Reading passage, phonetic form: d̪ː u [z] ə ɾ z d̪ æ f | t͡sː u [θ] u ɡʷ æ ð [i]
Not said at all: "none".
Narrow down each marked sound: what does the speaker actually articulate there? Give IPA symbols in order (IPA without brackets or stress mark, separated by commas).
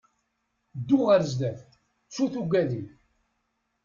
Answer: ʁ, θ, i